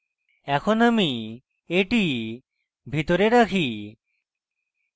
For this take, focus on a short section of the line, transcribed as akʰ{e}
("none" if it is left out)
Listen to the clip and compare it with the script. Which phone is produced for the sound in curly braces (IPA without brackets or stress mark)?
i